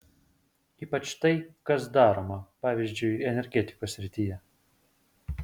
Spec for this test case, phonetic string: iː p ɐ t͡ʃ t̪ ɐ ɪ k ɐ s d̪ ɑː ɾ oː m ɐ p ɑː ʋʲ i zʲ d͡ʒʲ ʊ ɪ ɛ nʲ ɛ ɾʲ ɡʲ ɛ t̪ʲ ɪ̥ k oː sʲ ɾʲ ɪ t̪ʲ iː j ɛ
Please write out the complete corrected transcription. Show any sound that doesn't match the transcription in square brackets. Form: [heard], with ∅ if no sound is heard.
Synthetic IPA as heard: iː p ɐ t͡ʃ t̪ ɐ ɪ k ɐ s d̪ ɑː ɾ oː m ɐ p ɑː ʋʲ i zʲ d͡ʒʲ ʊ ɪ ɛ nʲ ɛ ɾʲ ɡʲ ɛ t̪ʲ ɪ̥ k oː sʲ ɾʲ ɪ t̪ʲ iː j ɛ